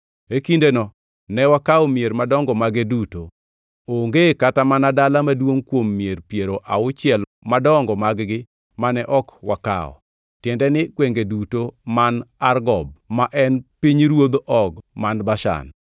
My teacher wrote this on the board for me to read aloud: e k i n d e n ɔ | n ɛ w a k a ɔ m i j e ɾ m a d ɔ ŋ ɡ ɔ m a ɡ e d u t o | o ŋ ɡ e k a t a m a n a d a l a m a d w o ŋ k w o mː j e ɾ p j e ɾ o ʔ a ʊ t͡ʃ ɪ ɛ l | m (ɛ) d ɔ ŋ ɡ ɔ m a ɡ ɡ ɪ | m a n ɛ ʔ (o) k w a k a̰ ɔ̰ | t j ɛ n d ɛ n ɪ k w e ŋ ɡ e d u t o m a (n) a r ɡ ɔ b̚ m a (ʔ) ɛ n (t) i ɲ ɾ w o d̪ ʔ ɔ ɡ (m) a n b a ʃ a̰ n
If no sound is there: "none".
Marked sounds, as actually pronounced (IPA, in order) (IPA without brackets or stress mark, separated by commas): a, ɔ, n, ʔ, p, m